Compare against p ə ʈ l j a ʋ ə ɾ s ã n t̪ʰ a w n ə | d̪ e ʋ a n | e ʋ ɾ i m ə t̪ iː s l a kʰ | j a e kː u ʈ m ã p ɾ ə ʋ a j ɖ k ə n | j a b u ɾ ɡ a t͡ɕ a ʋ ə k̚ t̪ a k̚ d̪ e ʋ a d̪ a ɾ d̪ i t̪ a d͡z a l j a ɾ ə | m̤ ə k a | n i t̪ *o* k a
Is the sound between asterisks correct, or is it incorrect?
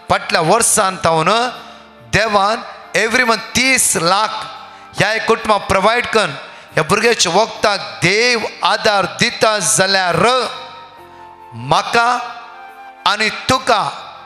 incorrect